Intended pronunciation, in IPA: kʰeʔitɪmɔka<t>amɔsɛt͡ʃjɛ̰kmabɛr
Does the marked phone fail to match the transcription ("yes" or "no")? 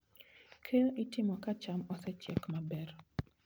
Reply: yes